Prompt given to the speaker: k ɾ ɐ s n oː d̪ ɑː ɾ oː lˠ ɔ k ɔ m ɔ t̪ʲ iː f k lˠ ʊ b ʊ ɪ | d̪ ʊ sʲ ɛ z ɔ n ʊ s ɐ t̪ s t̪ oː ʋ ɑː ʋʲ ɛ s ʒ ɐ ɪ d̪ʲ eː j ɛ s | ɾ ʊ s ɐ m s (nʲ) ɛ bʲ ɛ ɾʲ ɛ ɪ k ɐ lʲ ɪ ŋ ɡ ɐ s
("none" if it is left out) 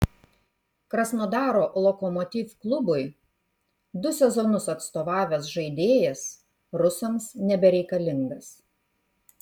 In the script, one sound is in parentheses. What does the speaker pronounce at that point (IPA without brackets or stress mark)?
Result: nʲ